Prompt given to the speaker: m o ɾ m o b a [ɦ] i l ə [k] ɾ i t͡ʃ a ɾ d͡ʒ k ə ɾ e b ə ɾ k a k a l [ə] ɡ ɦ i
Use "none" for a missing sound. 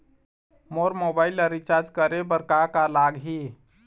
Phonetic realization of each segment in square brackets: none, none, a

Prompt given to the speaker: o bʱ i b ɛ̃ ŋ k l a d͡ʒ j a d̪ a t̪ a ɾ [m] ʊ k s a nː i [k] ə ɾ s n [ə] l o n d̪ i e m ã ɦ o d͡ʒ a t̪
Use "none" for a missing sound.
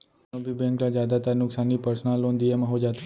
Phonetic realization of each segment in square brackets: n, p, a

